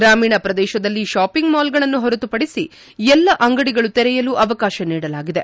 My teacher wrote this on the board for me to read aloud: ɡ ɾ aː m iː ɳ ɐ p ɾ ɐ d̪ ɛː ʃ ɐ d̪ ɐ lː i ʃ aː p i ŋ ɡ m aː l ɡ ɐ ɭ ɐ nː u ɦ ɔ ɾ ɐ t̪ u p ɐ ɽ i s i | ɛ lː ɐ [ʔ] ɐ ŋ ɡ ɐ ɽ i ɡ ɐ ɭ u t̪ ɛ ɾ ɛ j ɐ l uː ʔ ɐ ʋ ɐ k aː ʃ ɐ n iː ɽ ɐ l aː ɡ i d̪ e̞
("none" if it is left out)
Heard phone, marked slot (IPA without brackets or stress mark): ʔ